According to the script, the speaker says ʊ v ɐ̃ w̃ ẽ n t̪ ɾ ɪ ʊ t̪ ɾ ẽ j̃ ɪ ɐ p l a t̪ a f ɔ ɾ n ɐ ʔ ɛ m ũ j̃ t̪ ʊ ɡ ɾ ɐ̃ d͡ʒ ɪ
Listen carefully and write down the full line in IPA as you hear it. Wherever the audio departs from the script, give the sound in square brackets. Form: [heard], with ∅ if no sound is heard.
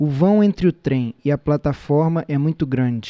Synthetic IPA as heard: ʊ v ɐ̃ w̃ ẽ n t̪ ɾ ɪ ʊ t̪ ɾ ẽ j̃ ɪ ɐ p l a t̪ a f ɔ ɾ [m] ɐ ʔ ɛ m ũ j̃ t̪ ʊ ɡ ɾ ɐ̃ d͡ʒ ɪ